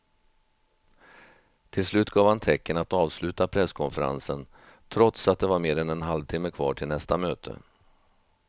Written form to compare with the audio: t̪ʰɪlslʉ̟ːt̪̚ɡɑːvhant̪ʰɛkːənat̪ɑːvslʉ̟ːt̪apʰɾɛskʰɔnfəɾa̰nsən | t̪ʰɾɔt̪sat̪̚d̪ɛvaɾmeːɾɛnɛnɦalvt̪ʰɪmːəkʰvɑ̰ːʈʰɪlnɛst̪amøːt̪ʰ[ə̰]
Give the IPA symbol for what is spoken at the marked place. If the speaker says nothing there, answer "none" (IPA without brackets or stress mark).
ə̰